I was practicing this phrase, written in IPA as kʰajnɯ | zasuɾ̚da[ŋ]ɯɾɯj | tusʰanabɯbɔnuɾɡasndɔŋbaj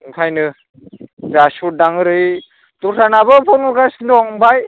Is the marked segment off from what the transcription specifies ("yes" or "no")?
no